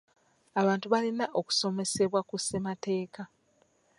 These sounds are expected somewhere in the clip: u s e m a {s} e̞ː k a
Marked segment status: incorrect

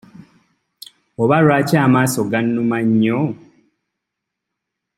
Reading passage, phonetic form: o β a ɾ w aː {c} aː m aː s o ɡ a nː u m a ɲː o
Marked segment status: correct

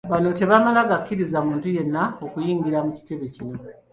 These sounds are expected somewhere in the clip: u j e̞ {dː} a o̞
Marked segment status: incorrect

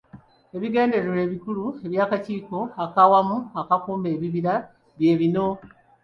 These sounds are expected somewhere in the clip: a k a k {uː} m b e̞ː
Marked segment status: correct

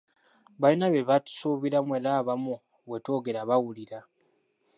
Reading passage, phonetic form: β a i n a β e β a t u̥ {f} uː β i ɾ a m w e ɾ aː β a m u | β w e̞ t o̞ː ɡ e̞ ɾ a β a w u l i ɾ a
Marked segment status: incorrect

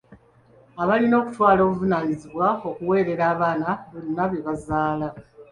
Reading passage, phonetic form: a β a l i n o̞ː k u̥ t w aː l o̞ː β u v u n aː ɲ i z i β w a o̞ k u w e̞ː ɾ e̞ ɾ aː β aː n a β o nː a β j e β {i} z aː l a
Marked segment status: incorrect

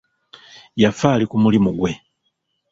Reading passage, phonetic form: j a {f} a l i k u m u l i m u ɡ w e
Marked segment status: correct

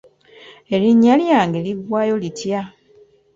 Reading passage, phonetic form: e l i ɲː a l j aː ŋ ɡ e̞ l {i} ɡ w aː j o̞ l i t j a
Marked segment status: correct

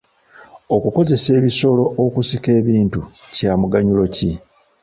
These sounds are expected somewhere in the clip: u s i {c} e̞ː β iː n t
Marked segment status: incorrect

